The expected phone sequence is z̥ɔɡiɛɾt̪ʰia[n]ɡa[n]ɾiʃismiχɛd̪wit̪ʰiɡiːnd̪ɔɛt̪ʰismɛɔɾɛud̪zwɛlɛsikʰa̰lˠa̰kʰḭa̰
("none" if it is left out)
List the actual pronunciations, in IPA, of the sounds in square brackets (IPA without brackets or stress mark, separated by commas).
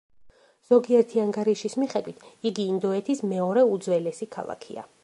ŋ, none